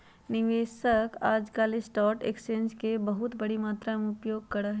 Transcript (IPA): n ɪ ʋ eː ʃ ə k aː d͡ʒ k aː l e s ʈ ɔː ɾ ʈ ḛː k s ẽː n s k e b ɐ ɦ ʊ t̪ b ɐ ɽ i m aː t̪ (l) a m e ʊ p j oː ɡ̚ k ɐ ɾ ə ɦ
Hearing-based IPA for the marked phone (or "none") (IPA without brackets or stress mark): ɾ